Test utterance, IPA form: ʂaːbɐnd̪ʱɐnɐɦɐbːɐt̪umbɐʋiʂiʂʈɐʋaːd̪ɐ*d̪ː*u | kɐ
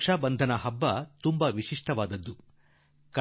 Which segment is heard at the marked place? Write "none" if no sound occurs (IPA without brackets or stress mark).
d̪ː